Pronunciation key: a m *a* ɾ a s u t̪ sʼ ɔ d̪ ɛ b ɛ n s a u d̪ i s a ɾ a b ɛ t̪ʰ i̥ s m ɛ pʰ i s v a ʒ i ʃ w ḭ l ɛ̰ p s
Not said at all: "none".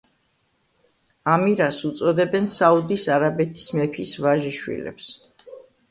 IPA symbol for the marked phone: i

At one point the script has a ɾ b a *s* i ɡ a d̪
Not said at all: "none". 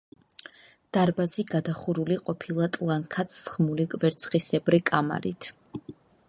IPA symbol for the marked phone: z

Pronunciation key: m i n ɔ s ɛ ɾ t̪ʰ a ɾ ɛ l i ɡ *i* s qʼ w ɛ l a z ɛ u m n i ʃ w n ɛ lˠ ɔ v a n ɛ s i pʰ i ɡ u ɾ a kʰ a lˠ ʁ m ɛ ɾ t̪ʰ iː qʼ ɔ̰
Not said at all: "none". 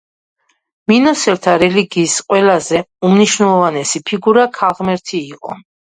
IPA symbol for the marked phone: iː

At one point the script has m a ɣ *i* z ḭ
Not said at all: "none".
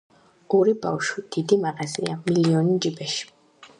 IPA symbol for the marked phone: a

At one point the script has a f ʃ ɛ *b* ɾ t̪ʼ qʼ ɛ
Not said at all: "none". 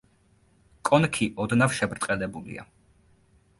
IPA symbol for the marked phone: b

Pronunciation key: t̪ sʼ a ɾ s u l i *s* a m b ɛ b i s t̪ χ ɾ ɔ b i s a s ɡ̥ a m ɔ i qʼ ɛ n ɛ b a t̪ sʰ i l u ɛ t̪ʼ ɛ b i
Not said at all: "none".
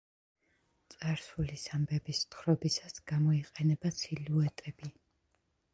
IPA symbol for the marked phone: s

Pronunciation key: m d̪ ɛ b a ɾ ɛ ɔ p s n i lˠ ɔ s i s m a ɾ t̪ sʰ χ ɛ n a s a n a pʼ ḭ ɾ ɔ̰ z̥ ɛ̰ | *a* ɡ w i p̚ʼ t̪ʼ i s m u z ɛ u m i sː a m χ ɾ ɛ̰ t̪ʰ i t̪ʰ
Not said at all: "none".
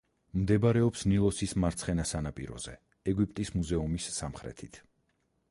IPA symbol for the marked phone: ɛ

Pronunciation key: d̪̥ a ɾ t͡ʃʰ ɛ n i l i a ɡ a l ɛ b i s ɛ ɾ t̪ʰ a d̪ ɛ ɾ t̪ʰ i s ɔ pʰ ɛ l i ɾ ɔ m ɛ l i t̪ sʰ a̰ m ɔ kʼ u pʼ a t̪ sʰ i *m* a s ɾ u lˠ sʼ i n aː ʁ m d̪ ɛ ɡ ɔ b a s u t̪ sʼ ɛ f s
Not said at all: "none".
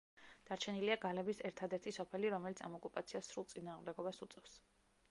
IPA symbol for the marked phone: none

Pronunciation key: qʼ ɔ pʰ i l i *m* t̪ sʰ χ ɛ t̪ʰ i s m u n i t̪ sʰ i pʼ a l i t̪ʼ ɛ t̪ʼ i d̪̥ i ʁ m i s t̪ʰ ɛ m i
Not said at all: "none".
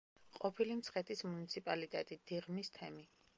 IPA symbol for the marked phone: m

